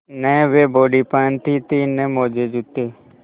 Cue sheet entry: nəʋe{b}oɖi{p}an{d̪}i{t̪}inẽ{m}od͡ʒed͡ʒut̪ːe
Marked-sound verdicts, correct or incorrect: correct, correct, incorrect: t̪, correct, correct

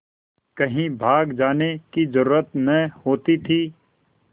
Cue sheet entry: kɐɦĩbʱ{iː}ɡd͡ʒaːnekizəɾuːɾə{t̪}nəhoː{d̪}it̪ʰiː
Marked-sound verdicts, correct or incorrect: incorrect: aː, correct, incorrect: t̪

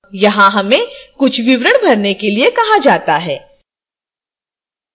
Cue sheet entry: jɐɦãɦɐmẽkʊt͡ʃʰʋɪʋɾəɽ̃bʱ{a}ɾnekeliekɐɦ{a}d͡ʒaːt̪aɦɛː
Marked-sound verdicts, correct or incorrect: incorrect: ɐ, correct

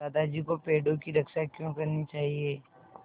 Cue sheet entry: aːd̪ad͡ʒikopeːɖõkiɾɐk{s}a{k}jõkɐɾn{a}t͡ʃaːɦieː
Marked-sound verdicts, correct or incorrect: incorrect: ʃ, correct, incorrect: i

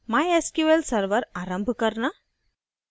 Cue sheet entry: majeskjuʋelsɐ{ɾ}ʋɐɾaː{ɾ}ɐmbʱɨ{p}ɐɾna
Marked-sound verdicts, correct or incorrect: correct, correct, incorrect: k

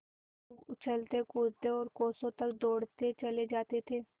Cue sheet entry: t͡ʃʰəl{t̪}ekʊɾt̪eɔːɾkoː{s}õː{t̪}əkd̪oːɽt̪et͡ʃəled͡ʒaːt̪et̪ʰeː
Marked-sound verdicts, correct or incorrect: correct, correct, correct

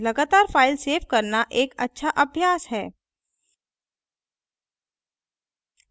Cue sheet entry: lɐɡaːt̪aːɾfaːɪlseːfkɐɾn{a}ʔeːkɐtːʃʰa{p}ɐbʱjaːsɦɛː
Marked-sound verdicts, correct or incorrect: correct, incorrect: ʔ

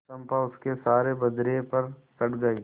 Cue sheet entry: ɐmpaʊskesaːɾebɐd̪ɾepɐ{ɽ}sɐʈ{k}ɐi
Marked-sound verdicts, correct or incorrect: incorrect: ɾ, incorrect: ɡ

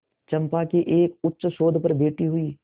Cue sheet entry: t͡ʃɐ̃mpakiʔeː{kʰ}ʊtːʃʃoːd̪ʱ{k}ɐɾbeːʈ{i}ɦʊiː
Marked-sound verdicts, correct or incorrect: incorrect: k, incorrect: p, correct

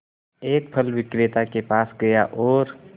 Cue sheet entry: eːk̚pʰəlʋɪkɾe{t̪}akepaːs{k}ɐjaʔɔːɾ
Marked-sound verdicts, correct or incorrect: correct, incorrect: ɡ

